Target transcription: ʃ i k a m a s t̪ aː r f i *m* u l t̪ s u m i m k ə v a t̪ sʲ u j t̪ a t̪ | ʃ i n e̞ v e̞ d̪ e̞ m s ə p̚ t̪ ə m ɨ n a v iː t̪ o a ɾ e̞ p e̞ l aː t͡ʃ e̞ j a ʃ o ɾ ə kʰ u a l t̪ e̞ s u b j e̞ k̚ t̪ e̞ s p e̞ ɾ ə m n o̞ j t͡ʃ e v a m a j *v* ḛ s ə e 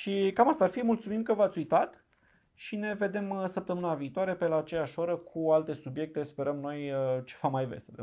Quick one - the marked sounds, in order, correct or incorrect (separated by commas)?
correct, correct